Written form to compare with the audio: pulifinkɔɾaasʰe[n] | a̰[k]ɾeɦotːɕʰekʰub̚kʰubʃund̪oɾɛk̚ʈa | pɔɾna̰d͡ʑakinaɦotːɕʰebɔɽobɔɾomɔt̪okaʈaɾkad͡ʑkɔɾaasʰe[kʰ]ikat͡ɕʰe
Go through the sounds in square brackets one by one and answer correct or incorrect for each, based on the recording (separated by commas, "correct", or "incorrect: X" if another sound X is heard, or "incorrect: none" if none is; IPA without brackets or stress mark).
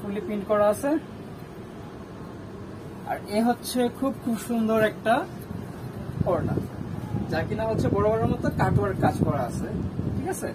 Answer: incorrect: none, incorrect: none, incorrect: ʈʰ